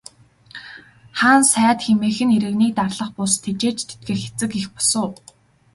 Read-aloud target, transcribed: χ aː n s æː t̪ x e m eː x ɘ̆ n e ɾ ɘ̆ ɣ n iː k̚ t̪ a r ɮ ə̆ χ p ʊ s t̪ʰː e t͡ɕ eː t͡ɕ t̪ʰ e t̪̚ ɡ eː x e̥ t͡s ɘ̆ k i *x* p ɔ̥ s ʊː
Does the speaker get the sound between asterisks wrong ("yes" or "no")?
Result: no